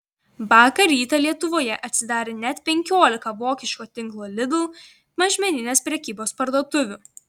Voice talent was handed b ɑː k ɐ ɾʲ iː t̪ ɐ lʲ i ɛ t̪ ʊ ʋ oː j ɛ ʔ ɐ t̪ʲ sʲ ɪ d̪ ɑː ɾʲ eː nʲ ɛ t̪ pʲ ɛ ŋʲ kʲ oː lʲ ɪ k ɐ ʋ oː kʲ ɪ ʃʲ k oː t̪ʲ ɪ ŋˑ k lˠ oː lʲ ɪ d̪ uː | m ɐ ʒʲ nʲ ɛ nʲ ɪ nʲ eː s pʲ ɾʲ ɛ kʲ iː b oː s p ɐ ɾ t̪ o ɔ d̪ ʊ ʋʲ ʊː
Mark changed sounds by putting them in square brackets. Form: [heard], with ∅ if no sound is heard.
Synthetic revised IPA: b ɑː k ɐ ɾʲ iː t̪ ɐ lʲ i ɛ t̪ ʊ ʋ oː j ɛ ʔ ɐ t̪ʲ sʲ ɪ d̪ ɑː ɾʲ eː nʲ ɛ t̪ pʲ ɛ ŋʲ kʲ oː lʲ ɪ k ɐ ʋ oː kʲ ɪ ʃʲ k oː t̪ʲ ɪ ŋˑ k lˠ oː lʲ ɪ d̪ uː | m ɐ ʒʲ [mʲ] ɛ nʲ ɪ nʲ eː s pʲ ɾʲ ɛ kʲ iː b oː s p ɐ ɾ [d̪] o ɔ [t̪] ʊ ʋʲ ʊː